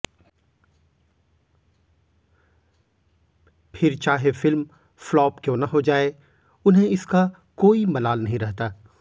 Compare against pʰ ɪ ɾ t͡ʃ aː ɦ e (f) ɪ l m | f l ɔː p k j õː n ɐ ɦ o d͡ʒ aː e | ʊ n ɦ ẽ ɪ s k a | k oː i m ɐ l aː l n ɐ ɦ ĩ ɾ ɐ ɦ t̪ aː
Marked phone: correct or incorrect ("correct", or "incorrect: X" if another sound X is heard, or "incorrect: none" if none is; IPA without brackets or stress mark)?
correct